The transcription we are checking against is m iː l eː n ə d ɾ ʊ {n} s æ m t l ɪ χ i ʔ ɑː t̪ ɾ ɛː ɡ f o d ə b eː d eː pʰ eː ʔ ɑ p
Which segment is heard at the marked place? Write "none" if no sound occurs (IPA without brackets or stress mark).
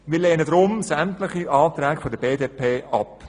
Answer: m